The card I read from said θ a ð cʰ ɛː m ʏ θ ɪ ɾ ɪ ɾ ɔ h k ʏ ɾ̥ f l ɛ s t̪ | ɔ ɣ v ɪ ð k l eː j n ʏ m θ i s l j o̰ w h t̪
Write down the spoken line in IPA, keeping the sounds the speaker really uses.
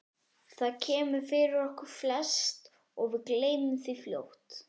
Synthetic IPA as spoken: θ a ð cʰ ɛː m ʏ f ɪ ɾ ɪ ɾ ɔ h k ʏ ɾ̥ f l ɛ s t̪ | ɔ ɣ v ɪ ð k l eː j n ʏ m θ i f l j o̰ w h t̪